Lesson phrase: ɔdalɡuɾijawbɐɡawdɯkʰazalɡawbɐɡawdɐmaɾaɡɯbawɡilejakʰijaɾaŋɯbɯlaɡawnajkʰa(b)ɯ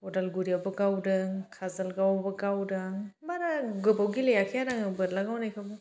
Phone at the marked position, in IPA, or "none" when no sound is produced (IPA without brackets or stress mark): b